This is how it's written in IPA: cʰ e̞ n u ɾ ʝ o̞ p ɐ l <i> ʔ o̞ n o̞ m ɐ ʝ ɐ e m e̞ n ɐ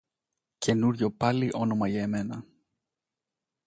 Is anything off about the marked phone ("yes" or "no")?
no